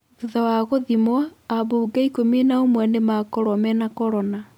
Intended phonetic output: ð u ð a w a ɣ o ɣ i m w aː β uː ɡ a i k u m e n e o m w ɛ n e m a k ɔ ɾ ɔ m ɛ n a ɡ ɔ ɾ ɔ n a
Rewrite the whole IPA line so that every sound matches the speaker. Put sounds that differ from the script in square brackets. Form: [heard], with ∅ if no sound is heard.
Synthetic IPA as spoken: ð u ð a w a ɣ o [ð] i m w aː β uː ɡ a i k [o] m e n [a] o m w ɛ n e m a k ɔ ɾ ɔ m ɛ n a [k] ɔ ɾ ɔ n a